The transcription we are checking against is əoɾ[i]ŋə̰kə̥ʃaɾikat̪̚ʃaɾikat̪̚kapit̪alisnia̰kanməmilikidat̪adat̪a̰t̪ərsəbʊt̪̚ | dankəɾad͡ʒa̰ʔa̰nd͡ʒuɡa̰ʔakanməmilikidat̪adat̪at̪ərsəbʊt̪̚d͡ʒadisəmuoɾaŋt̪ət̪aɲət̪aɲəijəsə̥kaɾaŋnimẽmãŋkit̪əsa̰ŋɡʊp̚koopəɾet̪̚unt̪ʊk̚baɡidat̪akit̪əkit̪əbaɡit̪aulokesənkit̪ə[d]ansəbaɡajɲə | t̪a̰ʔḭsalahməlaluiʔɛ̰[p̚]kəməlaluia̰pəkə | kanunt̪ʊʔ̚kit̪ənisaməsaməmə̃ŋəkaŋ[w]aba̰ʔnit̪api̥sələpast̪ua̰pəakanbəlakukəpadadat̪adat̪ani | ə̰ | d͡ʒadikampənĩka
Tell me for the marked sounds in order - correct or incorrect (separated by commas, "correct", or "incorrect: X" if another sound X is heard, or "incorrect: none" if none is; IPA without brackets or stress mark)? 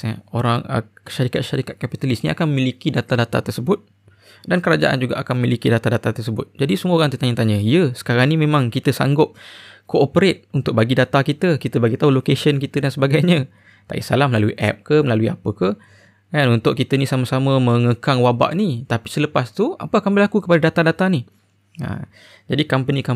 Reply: incorrect: a, correct, correct, correct